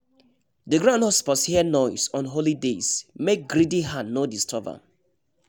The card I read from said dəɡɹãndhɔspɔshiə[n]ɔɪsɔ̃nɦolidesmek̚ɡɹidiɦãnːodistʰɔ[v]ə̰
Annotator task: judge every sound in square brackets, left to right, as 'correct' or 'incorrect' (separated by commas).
correct, correct